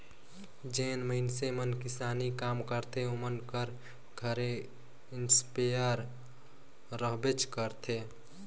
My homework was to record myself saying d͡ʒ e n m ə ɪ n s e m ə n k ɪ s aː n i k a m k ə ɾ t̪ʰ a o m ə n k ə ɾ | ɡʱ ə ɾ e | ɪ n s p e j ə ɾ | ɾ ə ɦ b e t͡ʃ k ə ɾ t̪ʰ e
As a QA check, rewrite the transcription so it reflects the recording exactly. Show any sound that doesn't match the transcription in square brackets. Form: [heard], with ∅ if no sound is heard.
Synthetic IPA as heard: d͡ʒ e n m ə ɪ n s e m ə n k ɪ s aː n i k a m k ə ɾ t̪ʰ [e] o m ə n k ə ɾ | ɡʱ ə ɾ e | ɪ n s p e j ə ɾ | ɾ ə ɦ b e t͡ʃ k ə ɾ t̪ʰ e